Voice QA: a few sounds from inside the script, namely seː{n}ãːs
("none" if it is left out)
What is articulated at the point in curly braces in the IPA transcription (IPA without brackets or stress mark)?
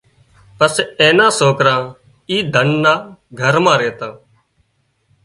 n